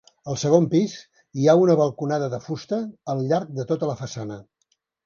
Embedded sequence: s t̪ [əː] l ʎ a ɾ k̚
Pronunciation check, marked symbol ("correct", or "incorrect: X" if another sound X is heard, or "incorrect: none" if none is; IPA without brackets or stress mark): correct